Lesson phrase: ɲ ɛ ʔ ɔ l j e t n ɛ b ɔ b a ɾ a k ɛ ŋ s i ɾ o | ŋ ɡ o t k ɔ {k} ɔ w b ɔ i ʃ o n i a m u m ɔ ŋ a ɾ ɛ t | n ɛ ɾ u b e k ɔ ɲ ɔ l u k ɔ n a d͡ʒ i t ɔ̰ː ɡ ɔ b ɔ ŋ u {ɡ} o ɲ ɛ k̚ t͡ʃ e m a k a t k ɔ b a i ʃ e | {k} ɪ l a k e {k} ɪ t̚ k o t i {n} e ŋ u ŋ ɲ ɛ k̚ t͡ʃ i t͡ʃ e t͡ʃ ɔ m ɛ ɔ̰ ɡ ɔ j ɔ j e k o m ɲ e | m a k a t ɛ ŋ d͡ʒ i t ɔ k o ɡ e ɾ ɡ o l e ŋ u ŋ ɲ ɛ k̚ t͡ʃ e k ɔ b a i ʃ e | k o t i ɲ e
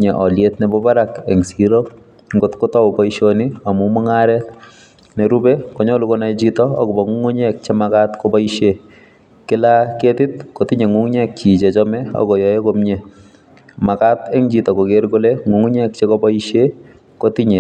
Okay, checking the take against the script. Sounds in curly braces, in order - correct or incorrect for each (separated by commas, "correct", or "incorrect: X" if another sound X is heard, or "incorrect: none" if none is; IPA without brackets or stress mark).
incorrect: t, incorrect: ŋ, correct, incorrect: t, incorrect: ɲ